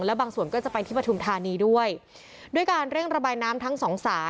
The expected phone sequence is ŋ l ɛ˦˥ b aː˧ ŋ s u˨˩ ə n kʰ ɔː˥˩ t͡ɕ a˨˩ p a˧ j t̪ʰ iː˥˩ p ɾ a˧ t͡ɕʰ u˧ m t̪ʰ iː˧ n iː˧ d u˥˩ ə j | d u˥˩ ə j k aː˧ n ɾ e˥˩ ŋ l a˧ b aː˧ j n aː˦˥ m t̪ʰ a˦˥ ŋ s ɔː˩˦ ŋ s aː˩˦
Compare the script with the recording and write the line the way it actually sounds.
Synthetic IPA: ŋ l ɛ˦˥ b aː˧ ŋ s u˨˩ ə n k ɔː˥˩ t͡ɕ a˨˩ p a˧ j t̪ʰ iː˥˩ p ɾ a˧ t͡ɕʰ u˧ m t̪ʰ aː˧ n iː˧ d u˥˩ ə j | d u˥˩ ə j k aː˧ n ɾ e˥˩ ŋ ɾ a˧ b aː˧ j n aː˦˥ m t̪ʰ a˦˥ ŋ s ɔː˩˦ ŋ s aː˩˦

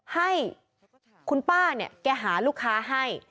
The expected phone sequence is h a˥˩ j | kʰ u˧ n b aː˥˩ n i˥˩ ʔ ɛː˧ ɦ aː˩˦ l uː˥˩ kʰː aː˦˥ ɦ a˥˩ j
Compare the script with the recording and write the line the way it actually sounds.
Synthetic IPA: h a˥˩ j | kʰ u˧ n p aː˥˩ n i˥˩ k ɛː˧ ɦ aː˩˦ l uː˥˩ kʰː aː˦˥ ɦ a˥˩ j

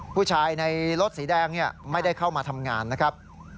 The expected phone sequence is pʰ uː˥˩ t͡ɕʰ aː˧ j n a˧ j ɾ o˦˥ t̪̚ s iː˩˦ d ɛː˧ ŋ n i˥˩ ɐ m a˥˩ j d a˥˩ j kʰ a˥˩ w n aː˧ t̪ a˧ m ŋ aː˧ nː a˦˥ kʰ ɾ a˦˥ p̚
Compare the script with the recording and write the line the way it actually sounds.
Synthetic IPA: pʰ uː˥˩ t͡ɕʰ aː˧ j n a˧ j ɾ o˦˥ t̪̚ s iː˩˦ d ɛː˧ ŋ n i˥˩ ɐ m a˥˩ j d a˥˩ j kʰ a˥˩ w m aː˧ t̪ʰ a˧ m ŋ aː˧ nː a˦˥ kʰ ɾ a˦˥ p̚

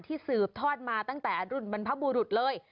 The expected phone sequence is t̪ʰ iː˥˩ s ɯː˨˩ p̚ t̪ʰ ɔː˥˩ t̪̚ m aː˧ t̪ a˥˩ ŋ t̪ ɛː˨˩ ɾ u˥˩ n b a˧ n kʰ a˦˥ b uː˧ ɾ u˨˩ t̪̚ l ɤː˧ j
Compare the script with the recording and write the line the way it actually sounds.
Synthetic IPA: t̪ʰ iː˥˩ s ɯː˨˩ p̚ t̪ʰ ɔː˥˩ t̪̚ m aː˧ t̪ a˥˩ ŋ t̪ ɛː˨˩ ɾ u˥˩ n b a˧ n pʰ a˦˥ b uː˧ ɾ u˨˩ t̪̚ l ɤː˧ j

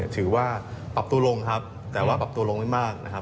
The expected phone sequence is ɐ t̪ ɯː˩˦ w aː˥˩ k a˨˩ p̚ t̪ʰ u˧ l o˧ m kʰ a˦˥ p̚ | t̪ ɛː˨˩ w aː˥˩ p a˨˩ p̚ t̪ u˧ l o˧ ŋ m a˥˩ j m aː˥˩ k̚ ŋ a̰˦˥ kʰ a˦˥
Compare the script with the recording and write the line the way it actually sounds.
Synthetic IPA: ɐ t̪ʰ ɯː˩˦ w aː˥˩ p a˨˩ p̚ t̪ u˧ l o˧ ŋ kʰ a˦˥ p̚ | t̪ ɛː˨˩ w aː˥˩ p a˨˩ p̚ t̪ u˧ l o˧ ŋ m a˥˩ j m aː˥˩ k̚ n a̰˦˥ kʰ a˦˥

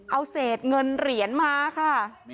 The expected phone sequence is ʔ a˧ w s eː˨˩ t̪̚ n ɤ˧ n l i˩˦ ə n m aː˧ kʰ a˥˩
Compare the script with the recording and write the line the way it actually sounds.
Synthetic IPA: ʔ a˧ w s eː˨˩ t̪̚ ŋ ɤ˧ n ɾ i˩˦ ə n m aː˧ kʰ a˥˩

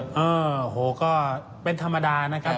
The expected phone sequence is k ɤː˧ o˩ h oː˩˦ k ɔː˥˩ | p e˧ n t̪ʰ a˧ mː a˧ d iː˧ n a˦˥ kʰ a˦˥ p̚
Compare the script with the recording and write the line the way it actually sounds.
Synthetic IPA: ʔ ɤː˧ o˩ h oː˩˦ k ɔː˥˩ | p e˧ n t̪ʰ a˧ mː a˧ d aː˧ n a˦˥ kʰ a˦˥ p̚

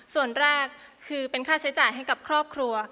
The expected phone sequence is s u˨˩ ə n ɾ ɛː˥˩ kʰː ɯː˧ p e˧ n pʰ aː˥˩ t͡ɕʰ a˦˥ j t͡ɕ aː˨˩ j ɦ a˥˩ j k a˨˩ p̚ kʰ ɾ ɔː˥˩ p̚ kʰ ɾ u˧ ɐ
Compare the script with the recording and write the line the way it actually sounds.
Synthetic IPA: s u˨˩ ə n ɾ ɛː˥˩ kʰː ɯː˧ p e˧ n kʰ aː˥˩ t͡ɕʰ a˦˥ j t͡ɕ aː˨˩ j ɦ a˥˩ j k a˨˩ p̚ kʰ ɾ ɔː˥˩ p̚ kʰ ɾ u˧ ɐ

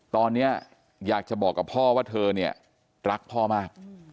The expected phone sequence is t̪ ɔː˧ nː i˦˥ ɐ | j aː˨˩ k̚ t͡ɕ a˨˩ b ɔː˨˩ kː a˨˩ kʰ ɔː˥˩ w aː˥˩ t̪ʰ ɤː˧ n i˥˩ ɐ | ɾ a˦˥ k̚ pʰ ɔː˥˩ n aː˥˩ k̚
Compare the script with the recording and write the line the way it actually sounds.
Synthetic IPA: t̪ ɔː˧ nː i˦˥ ɐ | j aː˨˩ k̚ t͡ɕ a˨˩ b ɔː˨˩ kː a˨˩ pʰ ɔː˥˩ w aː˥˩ t̪ʰ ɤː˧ n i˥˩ ɐ | ɾ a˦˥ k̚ pʰ ɔː˥˩ m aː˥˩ k̚

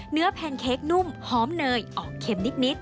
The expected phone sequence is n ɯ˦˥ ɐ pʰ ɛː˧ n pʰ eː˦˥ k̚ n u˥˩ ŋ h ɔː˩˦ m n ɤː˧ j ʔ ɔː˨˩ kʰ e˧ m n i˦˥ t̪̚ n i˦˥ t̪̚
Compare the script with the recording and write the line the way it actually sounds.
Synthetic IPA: n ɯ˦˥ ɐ pʰ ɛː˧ n kʰ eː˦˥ k̚ n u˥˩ m h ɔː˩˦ m n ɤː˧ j ʔ ɔː˨˩ kʰ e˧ m n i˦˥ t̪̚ n i˦˥ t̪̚

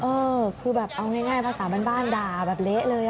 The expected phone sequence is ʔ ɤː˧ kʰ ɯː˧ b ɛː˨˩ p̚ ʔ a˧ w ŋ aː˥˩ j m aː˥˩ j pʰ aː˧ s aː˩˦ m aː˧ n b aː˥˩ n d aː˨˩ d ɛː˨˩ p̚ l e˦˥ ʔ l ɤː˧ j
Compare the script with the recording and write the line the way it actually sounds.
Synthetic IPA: ʔ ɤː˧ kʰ ɯː˧ b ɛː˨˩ p̚ ʔ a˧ w ŋ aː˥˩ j ŋ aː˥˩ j pʰ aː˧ s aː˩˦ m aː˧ n b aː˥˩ n d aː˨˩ b ɛː˨˩ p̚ l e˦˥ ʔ l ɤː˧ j

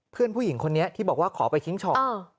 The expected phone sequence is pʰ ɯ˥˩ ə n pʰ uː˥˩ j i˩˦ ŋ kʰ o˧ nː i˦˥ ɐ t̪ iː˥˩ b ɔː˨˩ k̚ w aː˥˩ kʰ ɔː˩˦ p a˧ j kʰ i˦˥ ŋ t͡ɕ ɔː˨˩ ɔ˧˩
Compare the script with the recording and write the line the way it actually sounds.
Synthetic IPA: pʰ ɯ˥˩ ə n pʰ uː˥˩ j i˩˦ ŋ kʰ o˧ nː i˦˥ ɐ t̪ʰ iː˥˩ b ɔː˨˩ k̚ w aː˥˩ kʰ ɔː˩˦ p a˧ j kʰ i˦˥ ŋ t͡ɕʰ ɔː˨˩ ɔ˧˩

